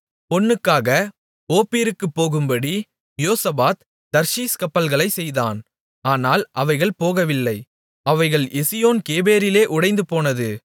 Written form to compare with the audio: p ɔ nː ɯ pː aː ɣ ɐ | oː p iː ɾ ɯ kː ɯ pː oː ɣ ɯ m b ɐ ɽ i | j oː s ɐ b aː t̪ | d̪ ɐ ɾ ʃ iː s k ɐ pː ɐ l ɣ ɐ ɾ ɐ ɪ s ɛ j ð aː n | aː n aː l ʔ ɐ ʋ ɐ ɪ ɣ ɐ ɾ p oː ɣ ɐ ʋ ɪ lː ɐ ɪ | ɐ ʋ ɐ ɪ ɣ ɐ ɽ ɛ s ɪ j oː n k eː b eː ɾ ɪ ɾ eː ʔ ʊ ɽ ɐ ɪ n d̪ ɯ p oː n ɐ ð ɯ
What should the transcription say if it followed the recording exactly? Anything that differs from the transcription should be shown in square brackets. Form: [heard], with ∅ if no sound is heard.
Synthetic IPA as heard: p ɔ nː ɯ [kː] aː ɣ ɐ | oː p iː ɾ ɯ kː ɯ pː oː ɣ ɯ m b ɐ ɽ i | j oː s ɐ b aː t̪ | d̪ ɐ ɾ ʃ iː s k ɐ pː ɐ l ɣ ɐ [ɭ] ɐ ɪ s ɛ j ð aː n | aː n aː l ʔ ɐ ʋ ɐ ɪ ɣ ɐ [ɭ] p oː ɣ ɐ ʋ ɪ lː ɐ ɪ | ɐ ʋ ɐ ɪ ɣ ɐ [ɭ] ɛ s ɪ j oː n k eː b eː ɾ ɪ [l] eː ʔ ʊ ɽ ɐ ɪ n d̪ ɯ p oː n ɐ ð ɯ

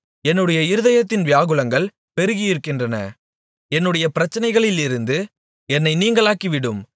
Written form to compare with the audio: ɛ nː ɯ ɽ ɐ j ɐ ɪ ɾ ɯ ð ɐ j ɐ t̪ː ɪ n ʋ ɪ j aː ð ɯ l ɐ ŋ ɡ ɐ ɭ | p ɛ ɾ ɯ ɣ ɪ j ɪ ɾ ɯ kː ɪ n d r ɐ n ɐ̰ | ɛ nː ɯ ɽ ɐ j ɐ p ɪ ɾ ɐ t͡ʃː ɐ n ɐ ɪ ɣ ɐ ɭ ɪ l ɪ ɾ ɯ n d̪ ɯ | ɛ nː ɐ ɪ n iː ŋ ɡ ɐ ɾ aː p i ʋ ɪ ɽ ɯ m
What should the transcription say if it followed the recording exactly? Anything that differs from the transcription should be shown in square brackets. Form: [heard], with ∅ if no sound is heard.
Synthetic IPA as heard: ɛ nː ɯ ɽ ɐ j ɐ ɪ ɾ ɯ ð ɐ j ɐ t̪ː ɪ n ʋ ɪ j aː [ɣ] ɯ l ɐ ŋ ɡ ɐ ɭ | p ɛ ɾ ɯ ɣ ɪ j ɪ ɾ ɯ kː ɪ n d r ɐ n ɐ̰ | ɛ nː ɯ ɽ ɐ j ɐ p ɪ ɾ ɐ t͡ʃː ɐ n ɐ ɪ ɣ ɐ ɭ ɪ l ɪ ɾ ɯ n d̪ ɯ | ɛ nː ɐ ɪ n iː ŋ ɡ ɐ [ɭ] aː [k] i ʋ ɪ ɽ ɯ m

